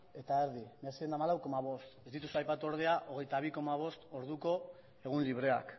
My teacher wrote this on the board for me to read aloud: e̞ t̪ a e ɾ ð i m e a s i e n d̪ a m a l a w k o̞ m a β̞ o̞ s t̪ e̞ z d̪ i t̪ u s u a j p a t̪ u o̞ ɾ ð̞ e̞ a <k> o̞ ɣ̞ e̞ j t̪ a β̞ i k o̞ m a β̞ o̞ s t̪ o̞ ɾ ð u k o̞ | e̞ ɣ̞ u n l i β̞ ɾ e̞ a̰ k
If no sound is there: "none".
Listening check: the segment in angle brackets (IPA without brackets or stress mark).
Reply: ʔ